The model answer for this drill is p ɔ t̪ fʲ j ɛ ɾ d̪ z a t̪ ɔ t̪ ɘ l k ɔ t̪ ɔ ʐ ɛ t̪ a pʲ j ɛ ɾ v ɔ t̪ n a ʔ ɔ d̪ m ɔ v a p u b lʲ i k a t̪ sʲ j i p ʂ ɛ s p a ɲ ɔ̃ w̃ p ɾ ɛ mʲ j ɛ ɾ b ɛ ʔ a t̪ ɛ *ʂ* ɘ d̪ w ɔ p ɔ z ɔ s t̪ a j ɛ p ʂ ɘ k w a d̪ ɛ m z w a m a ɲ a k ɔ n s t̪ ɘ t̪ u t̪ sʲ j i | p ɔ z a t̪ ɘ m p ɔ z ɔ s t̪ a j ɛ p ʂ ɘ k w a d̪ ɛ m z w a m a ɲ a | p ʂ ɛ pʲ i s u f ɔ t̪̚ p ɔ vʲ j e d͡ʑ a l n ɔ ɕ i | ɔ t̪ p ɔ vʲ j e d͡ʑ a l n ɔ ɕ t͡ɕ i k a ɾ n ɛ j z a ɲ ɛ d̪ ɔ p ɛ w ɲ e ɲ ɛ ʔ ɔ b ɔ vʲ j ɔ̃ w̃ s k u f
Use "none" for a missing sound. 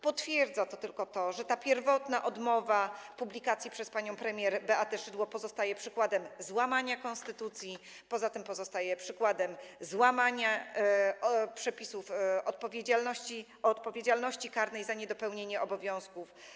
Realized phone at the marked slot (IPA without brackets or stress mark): ʂ